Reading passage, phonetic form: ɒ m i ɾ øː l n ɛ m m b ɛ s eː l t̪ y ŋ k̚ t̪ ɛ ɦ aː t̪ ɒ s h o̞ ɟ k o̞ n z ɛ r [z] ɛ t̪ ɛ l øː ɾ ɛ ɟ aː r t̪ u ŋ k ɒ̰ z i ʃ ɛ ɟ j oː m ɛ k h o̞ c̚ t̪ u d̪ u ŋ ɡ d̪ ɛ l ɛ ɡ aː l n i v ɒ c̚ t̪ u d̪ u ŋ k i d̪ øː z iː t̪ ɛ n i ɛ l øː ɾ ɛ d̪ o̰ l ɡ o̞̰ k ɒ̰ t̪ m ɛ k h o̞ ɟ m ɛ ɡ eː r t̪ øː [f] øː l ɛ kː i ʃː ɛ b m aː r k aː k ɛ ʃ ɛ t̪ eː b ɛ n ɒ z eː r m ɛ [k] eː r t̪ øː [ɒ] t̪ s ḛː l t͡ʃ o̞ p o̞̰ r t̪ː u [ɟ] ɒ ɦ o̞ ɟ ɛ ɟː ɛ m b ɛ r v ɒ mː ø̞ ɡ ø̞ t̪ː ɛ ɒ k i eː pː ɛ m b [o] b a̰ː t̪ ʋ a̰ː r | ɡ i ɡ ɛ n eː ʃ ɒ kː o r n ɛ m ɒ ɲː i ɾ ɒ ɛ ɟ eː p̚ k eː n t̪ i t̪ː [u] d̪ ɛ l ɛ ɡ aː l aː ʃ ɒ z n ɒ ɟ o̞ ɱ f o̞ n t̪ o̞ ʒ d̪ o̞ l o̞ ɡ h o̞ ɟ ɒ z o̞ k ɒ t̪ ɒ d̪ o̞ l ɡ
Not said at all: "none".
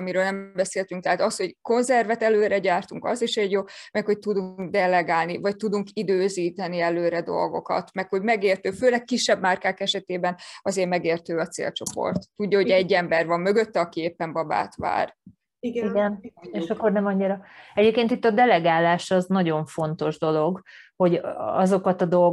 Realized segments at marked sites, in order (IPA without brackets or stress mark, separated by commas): v, f, ɡ, ɒ, ɟː, ɒ, ɒ